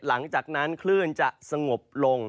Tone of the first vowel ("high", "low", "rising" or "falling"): rising